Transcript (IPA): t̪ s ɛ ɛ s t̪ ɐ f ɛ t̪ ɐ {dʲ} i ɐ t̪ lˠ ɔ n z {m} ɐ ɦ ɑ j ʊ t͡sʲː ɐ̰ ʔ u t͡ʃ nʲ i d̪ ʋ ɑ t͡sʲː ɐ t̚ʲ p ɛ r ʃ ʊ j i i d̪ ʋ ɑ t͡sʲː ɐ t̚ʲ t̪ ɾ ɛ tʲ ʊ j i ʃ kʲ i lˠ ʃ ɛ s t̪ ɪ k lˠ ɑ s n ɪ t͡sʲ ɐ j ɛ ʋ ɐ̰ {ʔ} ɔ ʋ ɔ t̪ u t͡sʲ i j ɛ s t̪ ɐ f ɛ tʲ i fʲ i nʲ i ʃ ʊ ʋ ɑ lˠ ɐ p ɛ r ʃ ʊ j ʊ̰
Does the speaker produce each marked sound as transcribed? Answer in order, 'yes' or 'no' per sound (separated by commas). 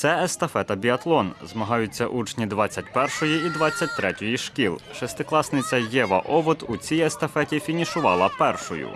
no, yes, yes